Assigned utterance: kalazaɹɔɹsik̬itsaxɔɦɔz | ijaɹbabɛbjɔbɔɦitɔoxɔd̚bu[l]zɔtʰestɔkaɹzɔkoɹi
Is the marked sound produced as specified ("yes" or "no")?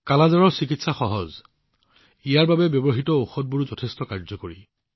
no